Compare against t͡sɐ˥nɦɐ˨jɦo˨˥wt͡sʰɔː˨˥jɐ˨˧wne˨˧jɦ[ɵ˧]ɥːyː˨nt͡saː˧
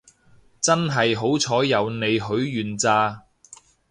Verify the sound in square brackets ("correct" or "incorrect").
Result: incorrect